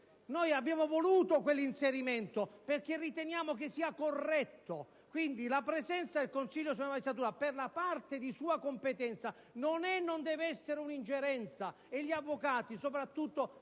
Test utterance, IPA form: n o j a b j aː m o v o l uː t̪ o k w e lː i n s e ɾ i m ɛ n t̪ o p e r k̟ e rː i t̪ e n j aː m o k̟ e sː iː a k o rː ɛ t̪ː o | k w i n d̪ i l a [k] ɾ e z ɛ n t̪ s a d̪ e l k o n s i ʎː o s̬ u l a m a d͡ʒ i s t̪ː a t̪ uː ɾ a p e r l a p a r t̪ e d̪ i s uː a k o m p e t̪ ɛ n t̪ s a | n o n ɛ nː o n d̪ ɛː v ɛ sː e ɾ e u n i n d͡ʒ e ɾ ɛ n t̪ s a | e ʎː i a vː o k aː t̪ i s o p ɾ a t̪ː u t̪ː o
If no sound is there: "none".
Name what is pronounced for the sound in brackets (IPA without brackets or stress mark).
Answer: p